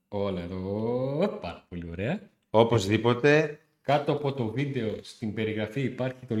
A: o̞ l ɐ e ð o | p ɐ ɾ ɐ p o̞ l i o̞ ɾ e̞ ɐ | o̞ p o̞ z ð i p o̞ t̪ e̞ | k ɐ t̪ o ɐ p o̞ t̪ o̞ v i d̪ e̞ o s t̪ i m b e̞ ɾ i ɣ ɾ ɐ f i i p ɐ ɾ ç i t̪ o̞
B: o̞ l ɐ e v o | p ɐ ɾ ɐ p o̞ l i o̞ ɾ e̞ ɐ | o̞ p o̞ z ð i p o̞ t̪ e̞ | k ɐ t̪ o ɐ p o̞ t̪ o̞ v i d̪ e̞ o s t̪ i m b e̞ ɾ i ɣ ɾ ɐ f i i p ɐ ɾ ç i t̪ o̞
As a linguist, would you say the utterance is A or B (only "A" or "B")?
A